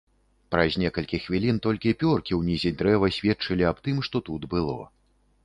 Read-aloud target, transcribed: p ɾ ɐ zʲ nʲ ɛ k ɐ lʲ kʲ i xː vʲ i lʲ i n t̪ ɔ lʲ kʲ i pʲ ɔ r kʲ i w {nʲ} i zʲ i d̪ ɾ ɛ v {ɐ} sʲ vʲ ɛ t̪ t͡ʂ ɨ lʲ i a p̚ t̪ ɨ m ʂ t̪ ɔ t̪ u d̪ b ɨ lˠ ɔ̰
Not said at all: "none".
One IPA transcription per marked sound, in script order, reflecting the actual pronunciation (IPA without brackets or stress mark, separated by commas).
nʲ, ɐ